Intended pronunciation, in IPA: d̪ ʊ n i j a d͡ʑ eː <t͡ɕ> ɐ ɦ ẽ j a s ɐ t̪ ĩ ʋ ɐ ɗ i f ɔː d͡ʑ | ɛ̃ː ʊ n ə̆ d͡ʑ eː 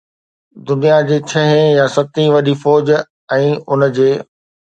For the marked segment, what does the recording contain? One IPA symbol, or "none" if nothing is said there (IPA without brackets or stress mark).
t͡ɕʰ